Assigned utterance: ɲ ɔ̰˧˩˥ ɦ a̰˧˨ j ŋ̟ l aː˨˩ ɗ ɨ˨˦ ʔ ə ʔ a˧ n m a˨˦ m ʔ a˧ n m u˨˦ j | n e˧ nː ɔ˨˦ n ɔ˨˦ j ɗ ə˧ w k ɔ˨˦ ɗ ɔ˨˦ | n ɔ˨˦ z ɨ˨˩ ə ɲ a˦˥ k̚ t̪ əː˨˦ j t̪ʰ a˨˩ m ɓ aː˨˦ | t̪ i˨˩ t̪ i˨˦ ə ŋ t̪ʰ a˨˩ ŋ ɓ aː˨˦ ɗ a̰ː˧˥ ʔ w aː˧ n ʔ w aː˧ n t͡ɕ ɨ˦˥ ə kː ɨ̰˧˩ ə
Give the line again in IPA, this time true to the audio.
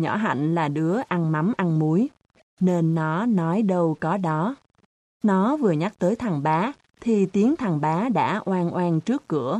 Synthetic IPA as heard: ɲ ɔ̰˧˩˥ ɦ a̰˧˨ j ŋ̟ l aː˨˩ ɗ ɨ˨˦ ə ʔ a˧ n m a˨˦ m ʔ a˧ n m u˨˦ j | n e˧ nː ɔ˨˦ n ɔ˨˦ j ɗ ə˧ w k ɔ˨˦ ɗ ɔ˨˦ | n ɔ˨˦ v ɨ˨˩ ə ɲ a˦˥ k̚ t̪ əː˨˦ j t̪ʰ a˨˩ ŋ ɓ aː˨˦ | t̪ʰ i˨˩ t̪ i˨˦ ə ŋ t̪ʰ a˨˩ ŋ ɓ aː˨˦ ɗ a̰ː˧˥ ʔ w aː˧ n ʔ w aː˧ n t͡ɕ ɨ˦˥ ə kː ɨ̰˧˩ ə